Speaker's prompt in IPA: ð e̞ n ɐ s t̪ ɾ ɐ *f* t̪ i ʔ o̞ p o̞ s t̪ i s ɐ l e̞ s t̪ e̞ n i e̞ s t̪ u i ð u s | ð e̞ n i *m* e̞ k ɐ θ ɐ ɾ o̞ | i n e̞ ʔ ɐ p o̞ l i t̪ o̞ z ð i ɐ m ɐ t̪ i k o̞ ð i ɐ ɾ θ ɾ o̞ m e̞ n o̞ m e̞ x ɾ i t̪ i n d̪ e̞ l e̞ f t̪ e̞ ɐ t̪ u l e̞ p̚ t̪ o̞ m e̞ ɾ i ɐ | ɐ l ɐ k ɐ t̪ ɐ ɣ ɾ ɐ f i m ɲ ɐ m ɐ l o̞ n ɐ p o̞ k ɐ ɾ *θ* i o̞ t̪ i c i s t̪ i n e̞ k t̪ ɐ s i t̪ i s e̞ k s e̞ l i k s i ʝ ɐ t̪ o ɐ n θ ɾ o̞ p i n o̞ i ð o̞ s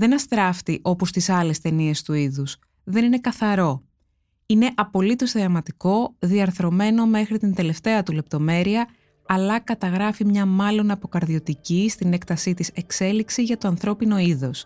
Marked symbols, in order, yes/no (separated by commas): yes, no, no